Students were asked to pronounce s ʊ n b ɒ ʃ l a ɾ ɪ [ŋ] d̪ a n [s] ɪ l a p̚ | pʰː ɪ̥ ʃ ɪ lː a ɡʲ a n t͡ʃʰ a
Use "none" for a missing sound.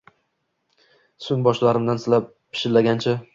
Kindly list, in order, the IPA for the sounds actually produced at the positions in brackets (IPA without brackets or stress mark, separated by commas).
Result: m, s